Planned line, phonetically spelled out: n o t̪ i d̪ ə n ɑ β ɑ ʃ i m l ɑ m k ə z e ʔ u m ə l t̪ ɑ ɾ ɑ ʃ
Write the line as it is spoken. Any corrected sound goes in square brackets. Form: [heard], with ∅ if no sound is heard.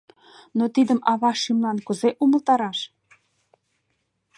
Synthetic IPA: n o t̪ i d̪ ə [m] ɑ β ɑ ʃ i m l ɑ [n] k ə z e ʔ u m ə l t̪ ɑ ɾ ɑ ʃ